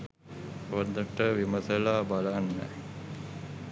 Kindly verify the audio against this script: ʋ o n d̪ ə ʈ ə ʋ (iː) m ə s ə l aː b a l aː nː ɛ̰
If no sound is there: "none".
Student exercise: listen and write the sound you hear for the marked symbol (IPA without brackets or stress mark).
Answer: i